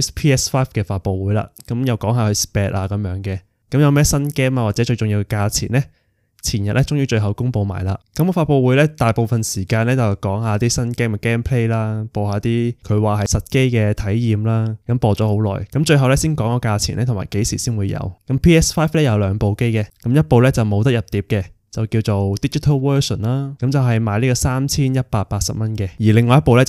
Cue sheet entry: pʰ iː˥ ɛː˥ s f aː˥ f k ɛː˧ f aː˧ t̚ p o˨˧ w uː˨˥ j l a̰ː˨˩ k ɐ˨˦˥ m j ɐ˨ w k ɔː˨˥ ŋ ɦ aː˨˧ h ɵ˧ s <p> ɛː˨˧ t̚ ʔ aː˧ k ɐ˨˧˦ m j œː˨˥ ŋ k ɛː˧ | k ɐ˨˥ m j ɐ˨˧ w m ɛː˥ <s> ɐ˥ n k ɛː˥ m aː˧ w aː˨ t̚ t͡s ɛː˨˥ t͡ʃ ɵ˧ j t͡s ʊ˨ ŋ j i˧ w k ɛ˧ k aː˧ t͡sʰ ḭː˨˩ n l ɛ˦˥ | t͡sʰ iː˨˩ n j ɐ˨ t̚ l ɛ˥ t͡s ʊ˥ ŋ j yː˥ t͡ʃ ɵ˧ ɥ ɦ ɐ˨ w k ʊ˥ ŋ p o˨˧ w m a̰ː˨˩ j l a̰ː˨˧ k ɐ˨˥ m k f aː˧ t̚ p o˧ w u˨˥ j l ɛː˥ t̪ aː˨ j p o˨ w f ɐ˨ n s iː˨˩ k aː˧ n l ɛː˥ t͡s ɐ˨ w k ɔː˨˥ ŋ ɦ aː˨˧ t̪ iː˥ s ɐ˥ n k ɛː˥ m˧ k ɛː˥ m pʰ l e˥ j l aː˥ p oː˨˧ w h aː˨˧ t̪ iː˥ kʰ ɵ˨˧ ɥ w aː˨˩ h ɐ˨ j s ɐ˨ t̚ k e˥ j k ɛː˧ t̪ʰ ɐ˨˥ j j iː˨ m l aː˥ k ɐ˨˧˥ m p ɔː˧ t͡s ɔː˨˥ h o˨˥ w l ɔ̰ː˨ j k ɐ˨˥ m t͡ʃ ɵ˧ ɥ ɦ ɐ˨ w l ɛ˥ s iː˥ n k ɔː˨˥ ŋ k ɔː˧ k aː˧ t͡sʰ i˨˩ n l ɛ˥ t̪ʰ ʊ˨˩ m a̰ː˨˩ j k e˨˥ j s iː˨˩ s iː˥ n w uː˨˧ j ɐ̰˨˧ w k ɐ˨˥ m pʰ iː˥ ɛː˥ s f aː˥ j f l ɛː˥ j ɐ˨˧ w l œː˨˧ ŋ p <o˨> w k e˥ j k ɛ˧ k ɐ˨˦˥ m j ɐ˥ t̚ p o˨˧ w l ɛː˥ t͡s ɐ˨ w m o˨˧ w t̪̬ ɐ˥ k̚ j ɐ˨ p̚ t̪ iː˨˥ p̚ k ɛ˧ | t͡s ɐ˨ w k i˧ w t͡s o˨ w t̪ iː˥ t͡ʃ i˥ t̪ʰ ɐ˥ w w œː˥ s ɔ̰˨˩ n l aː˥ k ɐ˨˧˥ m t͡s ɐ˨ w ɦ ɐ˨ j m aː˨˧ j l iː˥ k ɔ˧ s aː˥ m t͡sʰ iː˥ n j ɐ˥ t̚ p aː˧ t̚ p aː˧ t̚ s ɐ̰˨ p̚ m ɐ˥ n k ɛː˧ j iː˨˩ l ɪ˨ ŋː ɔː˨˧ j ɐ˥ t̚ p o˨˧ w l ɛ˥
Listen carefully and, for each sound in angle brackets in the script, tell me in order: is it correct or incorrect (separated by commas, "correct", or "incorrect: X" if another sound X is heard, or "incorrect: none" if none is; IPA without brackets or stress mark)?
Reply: correct, correct, correct